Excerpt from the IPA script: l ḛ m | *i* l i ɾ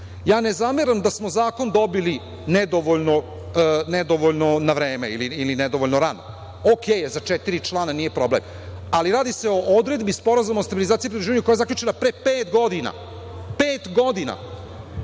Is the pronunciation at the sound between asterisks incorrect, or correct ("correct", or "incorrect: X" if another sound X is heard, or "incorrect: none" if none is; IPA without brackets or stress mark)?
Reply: incorrect: a